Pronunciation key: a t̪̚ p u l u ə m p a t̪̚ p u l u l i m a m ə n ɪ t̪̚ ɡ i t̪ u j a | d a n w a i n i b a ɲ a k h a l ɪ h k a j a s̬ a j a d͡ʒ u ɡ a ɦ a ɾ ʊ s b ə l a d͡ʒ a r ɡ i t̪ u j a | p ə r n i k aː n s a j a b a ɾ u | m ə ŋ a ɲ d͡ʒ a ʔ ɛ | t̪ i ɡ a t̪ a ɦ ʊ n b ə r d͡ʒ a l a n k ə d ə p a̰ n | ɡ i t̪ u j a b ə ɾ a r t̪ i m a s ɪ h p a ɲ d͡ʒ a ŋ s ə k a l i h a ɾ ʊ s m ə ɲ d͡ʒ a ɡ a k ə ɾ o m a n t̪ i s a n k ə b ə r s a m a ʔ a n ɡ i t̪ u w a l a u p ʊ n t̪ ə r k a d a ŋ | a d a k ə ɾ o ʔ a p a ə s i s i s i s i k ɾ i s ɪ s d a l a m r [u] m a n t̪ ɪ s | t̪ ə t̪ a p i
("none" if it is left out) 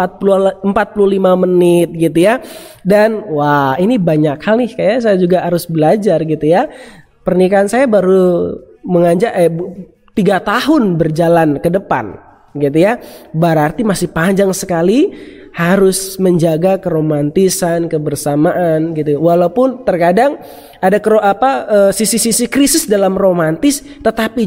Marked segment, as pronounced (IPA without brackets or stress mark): o